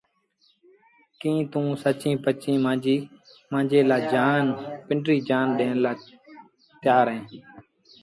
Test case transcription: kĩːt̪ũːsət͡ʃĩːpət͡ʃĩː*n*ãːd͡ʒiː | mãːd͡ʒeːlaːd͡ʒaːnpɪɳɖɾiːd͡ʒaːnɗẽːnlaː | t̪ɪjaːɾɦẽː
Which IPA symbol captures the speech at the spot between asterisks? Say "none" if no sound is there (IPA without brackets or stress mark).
m